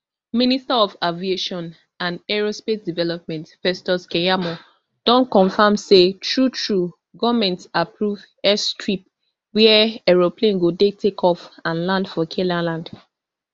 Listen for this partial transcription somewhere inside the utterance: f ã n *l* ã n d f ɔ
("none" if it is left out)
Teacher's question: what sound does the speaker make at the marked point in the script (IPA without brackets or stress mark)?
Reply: l